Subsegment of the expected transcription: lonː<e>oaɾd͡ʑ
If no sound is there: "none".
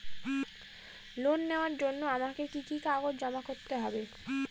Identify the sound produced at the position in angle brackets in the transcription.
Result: e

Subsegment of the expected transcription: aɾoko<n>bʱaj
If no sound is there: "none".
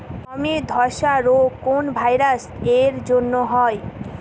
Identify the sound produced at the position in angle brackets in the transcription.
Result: n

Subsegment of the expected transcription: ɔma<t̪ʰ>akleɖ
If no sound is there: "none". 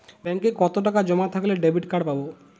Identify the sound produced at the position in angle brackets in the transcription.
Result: t̪ʰ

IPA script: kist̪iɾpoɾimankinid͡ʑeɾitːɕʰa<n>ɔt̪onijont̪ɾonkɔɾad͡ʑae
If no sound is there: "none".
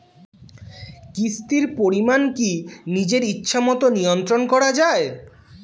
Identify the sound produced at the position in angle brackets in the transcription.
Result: m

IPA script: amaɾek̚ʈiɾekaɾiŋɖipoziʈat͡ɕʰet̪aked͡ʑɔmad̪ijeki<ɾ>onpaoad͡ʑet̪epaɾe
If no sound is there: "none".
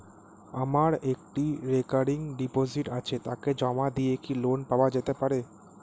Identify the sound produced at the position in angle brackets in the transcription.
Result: l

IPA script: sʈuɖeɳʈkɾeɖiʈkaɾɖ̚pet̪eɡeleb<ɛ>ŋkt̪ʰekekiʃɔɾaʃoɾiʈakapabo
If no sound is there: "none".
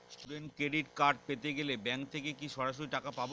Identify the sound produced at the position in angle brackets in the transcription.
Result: ɛ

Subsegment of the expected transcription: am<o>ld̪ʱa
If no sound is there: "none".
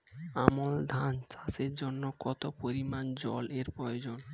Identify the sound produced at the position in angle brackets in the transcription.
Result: o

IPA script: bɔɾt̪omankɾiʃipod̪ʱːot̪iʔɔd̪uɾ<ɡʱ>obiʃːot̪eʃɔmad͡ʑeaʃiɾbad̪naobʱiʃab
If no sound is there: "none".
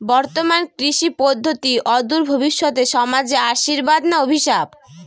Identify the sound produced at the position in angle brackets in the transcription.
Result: bʱ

